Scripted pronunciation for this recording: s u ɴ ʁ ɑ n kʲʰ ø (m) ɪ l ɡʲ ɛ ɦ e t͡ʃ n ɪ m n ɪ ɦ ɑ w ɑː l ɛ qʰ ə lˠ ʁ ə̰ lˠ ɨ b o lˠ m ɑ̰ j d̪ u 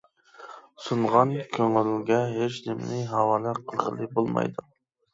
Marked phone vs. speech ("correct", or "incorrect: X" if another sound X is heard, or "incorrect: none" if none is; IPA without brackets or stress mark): incorrect: ŋ